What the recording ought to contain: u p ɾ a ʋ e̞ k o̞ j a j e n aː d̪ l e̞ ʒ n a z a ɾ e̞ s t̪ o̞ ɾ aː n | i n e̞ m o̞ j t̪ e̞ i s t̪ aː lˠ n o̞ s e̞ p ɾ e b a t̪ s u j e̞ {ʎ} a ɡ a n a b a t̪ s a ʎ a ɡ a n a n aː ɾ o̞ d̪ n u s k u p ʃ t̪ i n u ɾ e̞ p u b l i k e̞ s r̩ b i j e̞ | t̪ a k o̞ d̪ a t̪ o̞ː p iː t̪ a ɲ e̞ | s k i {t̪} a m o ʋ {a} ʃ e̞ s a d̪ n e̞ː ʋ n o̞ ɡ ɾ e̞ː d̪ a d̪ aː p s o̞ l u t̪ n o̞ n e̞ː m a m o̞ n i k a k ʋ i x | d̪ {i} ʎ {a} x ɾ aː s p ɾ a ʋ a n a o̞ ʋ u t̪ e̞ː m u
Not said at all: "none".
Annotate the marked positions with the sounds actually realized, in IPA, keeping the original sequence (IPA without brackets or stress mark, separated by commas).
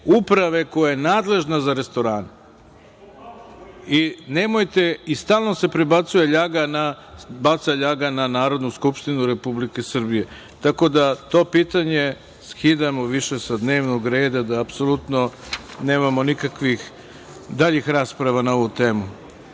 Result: ʎ, d̪, i, a, i